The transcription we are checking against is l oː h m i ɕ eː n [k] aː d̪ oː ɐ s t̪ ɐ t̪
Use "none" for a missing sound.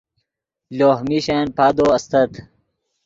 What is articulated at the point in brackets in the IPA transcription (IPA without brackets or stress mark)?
p